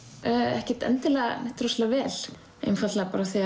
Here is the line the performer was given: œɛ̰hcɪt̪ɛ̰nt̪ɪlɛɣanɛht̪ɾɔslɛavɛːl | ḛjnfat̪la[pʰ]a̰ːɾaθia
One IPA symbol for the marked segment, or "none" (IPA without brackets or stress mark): p